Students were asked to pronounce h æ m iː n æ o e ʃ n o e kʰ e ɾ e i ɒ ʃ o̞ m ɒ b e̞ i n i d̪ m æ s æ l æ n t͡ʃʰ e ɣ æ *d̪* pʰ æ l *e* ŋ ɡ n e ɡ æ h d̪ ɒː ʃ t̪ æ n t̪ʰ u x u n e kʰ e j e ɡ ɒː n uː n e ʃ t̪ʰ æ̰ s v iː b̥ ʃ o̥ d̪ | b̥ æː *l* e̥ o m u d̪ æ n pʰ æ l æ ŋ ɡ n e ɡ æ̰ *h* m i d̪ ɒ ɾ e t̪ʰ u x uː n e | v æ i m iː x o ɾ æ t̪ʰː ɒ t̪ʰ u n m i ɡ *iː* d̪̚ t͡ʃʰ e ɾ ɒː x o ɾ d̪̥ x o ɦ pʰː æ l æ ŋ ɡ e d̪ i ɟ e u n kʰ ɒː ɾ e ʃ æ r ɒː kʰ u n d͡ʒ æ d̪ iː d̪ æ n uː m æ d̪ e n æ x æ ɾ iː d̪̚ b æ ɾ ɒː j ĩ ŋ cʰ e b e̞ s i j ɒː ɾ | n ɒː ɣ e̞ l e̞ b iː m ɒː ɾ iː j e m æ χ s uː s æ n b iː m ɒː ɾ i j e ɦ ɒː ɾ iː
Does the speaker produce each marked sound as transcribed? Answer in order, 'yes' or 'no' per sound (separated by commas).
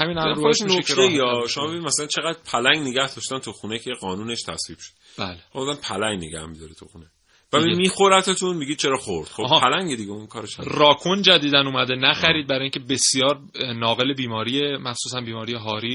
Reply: yes, no, yes, yes, no